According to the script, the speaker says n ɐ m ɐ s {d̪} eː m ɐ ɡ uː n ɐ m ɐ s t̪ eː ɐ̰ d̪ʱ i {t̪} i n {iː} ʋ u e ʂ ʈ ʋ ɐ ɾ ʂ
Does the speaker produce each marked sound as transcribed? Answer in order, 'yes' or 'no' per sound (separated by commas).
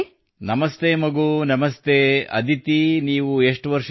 no, yes, yes